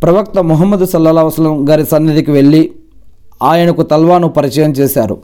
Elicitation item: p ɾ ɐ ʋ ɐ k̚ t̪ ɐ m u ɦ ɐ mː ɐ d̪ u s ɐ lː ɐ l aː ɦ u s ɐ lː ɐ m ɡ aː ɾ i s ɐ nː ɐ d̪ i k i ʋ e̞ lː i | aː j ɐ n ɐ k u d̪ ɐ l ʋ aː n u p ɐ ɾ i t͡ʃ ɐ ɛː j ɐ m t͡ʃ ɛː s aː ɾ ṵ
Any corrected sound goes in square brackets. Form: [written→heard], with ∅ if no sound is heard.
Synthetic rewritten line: p ɾ ɐ ʋ ɐ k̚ t̪ ɐ m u ɦ ɐ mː ɐ d̪ u s ɐ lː ɐ l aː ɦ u s ɐ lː ɐ m ɡ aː ɾ i s ɐ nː ɐ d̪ i k i ʋ e̞ [lː→ɭː] i | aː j ɐ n ɐ k u [d̪→t̪] ɐ l ʋ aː n u p ɐ ɾ i t͡ʃ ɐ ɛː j ɐ m t͡ʃ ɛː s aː ɾ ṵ